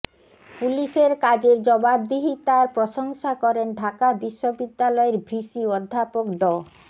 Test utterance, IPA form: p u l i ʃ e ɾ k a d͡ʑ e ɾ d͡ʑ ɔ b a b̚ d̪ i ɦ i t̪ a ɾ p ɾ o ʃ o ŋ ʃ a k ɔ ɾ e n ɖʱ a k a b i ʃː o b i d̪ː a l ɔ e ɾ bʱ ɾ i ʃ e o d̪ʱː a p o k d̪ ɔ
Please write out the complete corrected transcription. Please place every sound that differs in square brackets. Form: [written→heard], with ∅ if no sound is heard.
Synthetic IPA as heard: p u l i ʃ e ɾ k a d͡ʑ e ɾ d͡ʑ ɔ b a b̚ d̪ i ɦ i t̪ a ɾ p ɾ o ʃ o ŋ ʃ a k ɔ ɾ e n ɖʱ a k a b i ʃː o b i d̪ː a l ɔ e ɾ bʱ ɾ i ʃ [e→i] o d̪ʱː a p o k d̪ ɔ